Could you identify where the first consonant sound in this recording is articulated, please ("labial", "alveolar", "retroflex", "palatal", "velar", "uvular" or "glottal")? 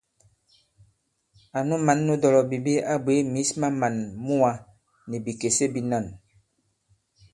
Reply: alveolar